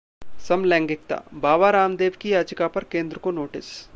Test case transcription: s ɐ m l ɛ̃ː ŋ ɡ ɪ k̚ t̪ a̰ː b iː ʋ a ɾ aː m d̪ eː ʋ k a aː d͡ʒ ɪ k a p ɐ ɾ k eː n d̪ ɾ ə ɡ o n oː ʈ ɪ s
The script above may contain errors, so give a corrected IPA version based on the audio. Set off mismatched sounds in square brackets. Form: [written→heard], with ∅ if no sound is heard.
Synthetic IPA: s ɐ m l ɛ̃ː ŋ ɡ ɪ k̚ t̪ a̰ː b [iː→aː] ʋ a ɾ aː m d̪ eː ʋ k [a→i] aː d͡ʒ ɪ k a p ɐ ɾ k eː n d̪ ɾ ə [ɡ→k] o n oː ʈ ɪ s